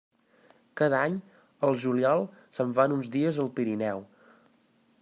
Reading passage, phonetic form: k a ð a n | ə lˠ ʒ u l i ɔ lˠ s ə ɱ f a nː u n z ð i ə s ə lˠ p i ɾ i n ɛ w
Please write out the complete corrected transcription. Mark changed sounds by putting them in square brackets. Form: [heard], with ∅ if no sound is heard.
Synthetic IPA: k a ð a [ɲ] | ə lˠ ʒ u l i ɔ lˠ s ə ɱ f a [n] u n z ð i ə [z] ə lˠ p i ɾ i n ɛ w